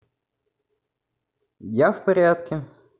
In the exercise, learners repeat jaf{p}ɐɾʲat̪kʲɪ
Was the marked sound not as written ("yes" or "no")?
no